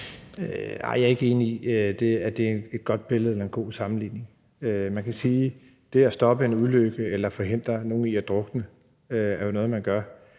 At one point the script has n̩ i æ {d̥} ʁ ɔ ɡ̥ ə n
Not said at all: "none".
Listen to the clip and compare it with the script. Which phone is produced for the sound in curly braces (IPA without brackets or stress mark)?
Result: d̥